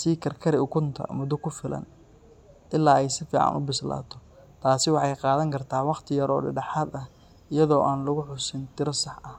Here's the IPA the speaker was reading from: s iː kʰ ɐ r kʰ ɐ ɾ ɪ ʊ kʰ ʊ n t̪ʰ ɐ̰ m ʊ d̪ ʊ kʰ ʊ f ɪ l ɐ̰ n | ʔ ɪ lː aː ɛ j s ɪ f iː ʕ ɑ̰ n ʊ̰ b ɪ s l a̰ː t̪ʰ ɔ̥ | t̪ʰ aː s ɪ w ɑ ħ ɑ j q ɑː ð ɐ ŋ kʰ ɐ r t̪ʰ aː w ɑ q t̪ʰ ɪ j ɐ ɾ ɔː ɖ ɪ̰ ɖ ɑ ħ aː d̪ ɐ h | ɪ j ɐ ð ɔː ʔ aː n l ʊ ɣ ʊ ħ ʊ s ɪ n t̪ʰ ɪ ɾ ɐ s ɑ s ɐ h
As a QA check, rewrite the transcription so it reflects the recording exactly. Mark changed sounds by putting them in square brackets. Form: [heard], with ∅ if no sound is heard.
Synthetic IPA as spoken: s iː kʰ ɐ r kʰ ɐ ɾ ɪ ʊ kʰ ʊ n t̪ʰ ɐ̰ m ʊ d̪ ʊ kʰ ʊ f ɪ l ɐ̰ n | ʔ ɪ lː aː ɛ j s ɪ f iː ʕ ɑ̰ n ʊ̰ b ɪ s l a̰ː t̪ʰ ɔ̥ | t̪ʰ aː s ɪ w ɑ ħ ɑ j q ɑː ð ɐ ŋ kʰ ɐ r t̪ʰ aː w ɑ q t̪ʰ ɪ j ɐ ɾ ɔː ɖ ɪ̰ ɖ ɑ ħ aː d̪ ɐ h | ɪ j ɐ ð ɔː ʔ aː n l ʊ ɣ ʊ ħ ʊ s ɪ n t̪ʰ ɪ ɾ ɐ s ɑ [ħ] ɐ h